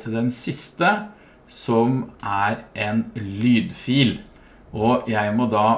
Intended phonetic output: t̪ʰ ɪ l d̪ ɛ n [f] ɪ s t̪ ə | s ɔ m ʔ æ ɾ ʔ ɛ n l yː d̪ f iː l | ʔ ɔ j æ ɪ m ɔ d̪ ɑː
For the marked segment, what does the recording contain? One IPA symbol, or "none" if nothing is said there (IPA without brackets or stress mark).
s